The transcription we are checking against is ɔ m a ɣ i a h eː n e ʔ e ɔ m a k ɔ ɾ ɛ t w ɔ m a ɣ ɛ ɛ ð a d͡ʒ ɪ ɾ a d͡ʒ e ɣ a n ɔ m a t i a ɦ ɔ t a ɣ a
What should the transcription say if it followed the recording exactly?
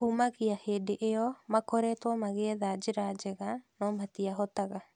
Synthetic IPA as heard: u m a ɣ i a h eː d e ʔ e ɔ m a k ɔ ɾ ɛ t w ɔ m a ɣ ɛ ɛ ð a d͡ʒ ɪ ɾ a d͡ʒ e ɣ a n ɔ m a t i a ɦ ɔ t a ɣ a